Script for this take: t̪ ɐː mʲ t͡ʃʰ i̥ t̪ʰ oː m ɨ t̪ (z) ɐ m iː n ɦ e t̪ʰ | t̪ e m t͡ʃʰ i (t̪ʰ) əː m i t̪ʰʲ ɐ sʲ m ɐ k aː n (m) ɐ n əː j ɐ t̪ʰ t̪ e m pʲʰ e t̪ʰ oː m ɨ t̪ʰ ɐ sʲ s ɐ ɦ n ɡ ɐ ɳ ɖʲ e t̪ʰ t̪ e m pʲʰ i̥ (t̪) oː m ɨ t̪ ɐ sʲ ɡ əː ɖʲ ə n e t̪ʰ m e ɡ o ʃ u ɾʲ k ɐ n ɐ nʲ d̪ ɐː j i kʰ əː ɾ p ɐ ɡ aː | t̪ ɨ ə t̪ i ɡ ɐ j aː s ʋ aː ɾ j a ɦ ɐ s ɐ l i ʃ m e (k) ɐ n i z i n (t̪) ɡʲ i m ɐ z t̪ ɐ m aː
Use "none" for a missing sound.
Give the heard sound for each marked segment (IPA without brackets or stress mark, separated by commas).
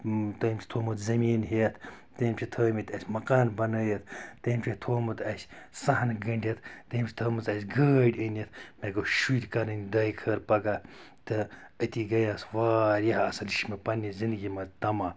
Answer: z, t̪ʰ, b, t̪ʰ, p, d̪